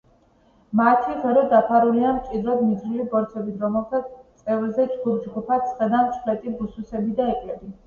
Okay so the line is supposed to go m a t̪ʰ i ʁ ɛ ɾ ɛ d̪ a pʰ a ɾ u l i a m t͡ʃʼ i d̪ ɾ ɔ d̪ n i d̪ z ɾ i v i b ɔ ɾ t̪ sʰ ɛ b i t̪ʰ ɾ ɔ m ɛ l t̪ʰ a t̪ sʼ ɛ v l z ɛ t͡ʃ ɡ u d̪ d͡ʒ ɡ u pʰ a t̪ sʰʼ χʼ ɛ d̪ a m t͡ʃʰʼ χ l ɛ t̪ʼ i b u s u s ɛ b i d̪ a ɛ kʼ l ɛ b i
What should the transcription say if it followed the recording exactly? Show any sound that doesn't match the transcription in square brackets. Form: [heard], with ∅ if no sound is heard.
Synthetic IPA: m a t̪ʰ i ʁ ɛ ɾ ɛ d̪ a pʰ a ɾ u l i a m t͡ʃʼ i d̪ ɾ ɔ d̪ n i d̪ z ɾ i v i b ɔ ɾ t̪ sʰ ɛ b i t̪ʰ ɾ ɔ m ɛ l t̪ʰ a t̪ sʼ ɛ v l z ɛ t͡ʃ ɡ u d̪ d͡ʒ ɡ u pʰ a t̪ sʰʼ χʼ ɛ d̪ a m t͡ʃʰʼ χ l ɛ t̪ʼ i b u s u s ɛ b i d̪ a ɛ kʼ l ɛ b i